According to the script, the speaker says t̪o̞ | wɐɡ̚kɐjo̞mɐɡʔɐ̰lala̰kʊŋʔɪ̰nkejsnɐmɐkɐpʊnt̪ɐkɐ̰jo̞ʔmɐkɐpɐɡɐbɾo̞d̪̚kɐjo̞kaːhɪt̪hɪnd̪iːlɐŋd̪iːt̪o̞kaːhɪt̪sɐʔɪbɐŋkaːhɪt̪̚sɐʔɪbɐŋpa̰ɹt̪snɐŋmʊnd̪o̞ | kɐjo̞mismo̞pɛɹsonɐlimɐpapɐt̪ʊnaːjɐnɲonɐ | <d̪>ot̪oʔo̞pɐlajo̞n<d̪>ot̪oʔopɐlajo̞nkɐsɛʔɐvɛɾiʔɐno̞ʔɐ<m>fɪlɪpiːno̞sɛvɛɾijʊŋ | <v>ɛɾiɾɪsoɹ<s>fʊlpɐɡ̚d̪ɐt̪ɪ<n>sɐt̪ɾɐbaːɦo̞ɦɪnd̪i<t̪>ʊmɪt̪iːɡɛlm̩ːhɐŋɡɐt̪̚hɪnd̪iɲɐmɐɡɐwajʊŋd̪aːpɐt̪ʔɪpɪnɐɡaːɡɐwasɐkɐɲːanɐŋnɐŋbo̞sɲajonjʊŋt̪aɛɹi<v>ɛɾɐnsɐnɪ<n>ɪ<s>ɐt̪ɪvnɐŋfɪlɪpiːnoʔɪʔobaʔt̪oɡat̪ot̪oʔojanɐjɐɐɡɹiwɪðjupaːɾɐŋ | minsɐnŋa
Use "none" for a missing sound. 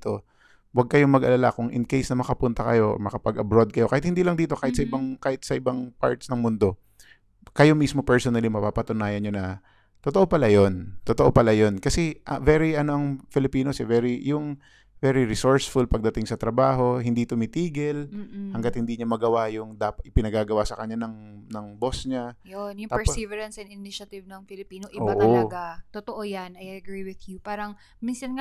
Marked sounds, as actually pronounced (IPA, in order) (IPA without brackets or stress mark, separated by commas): t̪, t̪, ŋ, v, s, ŋ, t̪, v, n, ʃ